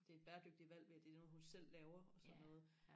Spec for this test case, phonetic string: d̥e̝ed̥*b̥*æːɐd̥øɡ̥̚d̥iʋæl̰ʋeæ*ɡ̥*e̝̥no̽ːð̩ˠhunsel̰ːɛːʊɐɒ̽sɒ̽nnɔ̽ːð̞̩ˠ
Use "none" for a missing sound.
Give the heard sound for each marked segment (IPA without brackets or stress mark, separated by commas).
b̥, d̥